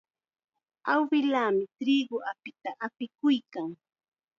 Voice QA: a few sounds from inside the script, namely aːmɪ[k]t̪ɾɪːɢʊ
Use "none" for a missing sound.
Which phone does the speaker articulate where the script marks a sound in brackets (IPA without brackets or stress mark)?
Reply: none